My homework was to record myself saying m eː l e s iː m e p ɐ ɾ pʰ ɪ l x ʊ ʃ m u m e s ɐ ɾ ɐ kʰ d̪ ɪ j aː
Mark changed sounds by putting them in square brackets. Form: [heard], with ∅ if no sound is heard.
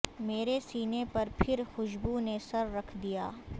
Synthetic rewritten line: m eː [ɾ] e s iː [n] e p ɐ ɾ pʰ ɪ [ɾ] x ʊ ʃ [b] u [n] e s ɐ [ɾː] ɐ kʰ d̪ [i] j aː